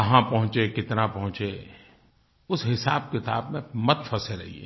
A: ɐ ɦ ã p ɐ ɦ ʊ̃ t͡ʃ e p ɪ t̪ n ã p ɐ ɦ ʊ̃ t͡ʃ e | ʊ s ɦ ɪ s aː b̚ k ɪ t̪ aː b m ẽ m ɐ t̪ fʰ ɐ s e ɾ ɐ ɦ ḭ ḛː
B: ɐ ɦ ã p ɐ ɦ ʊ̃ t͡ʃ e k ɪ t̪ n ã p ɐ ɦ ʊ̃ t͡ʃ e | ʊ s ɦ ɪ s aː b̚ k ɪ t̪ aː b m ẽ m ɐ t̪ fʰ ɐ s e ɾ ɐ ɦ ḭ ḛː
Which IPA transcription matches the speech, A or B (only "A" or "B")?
B